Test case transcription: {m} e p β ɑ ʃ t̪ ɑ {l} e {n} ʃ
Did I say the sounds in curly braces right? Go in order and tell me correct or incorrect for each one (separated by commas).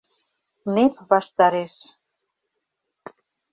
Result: incorrect, incorrect, incorrect